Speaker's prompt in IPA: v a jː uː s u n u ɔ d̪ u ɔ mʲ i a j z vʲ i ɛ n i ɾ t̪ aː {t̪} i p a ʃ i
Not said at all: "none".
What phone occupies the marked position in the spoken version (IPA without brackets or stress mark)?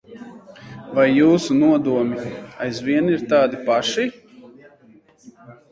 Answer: d̪